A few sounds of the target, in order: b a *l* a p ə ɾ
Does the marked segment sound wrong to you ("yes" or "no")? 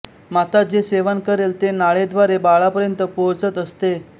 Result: yes